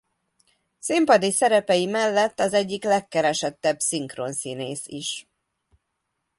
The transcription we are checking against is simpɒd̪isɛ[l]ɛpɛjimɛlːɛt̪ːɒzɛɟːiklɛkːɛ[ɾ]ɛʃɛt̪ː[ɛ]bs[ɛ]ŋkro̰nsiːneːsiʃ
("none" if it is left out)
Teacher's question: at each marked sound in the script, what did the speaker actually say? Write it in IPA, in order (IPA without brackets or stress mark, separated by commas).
ɾ, ɾ, ɛ, i